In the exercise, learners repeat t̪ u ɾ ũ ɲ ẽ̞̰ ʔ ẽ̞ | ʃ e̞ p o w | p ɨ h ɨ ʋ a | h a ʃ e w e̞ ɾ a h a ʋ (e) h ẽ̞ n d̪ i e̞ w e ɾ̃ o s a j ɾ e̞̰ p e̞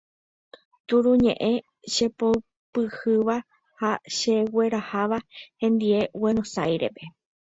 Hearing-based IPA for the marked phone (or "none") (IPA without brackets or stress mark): a